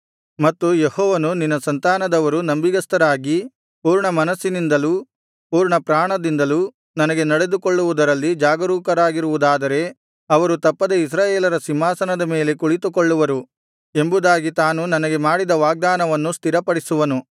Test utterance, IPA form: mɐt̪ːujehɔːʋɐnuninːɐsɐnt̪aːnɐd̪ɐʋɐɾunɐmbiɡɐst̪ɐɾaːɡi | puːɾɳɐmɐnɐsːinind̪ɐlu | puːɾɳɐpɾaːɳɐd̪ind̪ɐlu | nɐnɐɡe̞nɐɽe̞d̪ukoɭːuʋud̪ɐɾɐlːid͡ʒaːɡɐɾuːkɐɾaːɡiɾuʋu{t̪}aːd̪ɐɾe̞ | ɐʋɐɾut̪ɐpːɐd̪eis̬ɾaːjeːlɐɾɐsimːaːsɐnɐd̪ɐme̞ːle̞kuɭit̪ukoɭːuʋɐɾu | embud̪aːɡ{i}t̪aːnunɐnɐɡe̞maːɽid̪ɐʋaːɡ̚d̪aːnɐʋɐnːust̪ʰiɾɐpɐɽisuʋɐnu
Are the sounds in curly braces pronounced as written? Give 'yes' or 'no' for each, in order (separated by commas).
no, yes